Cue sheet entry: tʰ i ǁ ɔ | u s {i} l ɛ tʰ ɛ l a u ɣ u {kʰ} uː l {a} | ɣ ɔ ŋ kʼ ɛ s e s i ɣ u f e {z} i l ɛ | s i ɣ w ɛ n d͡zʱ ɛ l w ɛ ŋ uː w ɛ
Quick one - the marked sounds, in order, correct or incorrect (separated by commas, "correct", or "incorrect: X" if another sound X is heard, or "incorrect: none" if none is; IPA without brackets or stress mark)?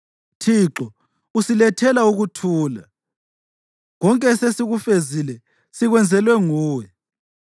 correct, incorrect: tʰ, correct, correct